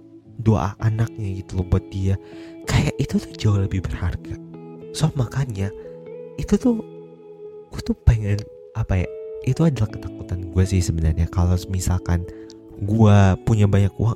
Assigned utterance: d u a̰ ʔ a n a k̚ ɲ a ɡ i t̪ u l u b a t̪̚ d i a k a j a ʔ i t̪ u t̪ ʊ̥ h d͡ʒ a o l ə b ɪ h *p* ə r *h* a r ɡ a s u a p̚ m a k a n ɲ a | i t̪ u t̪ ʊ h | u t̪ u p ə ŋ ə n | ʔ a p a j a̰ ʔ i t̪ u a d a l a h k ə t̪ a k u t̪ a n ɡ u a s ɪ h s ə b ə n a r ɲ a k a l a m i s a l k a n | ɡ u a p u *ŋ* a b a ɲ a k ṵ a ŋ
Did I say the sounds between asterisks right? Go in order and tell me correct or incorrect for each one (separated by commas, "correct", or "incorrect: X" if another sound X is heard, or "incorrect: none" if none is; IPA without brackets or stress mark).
incorrect: b, correct, incorrect: ɲ